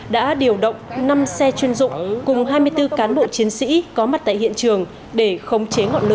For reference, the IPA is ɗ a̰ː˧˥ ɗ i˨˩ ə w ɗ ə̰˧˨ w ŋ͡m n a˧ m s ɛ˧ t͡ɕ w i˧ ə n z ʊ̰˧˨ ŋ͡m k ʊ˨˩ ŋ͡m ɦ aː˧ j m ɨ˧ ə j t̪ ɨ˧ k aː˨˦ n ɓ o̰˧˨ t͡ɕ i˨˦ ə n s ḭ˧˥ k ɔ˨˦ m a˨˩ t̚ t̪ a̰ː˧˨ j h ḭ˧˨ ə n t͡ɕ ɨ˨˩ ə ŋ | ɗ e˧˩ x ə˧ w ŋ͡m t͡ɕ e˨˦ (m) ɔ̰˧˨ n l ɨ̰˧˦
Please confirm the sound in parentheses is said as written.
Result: no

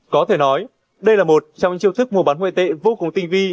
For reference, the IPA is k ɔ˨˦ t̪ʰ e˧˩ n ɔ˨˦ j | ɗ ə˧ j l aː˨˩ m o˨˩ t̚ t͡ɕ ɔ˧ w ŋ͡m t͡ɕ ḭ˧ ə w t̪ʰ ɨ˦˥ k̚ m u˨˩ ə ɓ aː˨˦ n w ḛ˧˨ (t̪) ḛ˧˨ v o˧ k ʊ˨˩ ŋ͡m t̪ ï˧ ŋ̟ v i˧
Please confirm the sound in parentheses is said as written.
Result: yes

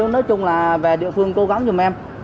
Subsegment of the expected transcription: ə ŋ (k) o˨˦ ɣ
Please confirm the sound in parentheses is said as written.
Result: yes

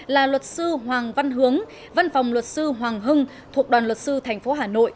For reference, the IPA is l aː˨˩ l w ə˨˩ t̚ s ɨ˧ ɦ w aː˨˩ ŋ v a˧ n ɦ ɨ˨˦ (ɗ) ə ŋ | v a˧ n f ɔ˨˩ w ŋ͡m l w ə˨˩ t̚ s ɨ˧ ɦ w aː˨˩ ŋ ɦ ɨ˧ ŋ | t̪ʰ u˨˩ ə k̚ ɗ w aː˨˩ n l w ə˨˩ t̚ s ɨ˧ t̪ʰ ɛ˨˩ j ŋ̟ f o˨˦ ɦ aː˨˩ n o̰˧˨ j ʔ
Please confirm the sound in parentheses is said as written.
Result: no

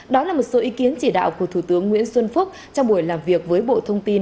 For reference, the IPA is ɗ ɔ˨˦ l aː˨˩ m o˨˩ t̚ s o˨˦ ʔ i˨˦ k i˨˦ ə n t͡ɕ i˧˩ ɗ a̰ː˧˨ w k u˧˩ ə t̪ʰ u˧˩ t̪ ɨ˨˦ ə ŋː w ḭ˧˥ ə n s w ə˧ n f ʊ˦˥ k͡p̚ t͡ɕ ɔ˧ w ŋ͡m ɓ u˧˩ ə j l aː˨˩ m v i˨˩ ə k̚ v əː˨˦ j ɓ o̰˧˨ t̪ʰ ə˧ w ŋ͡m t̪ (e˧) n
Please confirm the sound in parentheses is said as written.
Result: no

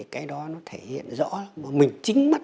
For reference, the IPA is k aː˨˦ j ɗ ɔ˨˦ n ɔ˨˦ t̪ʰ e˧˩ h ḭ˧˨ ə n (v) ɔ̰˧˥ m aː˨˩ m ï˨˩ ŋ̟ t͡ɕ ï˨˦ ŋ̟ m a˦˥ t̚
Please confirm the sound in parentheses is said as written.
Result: no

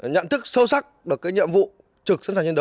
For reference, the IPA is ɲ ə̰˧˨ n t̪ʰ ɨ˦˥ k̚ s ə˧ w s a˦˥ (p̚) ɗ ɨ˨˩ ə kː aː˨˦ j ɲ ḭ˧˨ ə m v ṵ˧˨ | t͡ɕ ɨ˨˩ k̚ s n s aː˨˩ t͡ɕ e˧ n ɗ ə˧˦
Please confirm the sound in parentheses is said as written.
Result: no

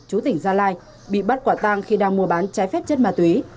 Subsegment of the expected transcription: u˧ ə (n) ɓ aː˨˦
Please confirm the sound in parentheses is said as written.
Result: no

